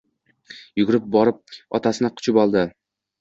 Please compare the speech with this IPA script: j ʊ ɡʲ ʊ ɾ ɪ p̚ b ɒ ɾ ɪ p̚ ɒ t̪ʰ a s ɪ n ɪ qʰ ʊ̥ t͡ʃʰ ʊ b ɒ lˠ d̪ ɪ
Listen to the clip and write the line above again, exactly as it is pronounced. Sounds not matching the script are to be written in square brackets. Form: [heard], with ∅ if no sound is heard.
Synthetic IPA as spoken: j ʊ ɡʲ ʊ ɾ ɪ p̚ b ɒ ɾ ɪ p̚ ɒ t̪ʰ a s ɪ n ɪ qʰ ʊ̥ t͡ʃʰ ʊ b ɒ lˠ d̪ ɪ